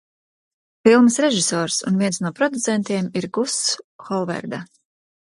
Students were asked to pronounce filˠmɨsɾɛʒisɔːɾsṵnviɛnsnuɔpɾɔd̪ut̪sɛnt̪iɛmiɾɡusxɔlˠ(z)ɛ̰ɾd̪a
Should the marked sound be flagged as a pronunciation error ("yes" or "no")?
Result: yes